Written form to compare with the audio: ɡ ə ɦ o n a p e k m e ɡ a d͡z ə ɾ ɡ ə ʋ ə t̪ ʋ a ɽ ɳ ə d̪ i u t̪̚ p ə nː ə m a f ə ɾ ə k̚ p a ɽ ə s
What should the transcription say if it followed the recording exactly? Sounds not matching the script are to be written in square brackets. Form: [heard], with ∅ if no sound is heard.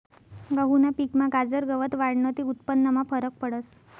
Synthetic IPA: ɡ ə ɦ [u] n a p [i] k m [a] ɡ a d͡z ə ɾ ɡ ə ʋ ə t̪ ʋ a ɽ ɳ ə [t̪] i u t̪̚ p ə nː ə m a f ə ɾ ə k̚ p [ə] ɽ ə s